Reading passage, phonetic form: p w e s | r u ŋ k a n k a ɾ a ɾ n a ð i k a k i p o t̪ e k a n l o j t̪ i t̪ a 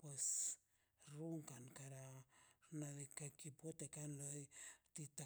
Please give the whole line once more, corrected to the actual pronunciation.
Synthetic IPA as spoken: p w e s | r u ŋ k a n k a ɾ a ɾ n a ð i k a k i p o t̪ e k a n l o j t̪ i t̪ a